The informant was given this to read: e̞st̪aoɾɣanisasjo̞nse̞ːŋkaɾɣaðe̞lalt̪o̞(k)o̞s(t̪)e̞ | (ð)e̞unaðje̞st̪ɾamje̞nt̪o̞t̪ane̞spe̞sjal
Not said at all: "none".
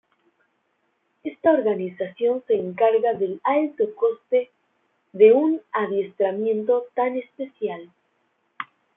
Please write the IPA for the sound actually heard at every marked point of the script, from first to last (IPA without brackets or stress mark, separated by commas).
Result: k, t̪, ð